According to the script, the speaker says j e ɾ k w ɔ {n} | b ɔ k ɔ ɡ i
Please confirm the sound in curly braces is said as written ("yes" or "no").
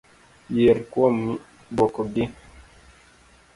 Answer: no